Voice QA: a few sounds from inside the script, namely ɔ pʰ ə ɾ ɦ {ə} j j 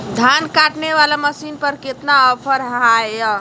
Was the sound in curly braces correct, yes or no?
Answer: no